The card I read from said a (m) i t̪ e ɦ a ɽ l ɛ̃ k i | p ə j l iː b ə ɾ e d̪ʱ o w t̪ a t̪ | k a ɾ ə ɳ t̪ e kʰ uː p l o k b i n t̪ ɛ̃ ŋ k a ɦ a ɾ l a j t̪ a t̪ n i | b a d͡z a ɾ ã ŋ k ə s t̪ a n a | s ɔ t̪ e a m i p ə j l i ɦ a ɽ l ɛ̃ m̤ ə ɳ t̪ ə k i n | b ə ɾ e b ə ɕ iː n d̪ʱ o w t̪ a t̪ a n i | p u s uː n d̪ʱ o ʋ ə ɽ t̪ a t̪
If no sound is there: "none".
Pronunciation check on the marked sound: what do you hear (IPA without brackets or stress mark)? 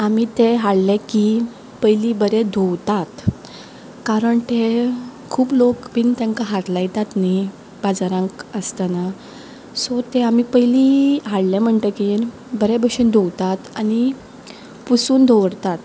m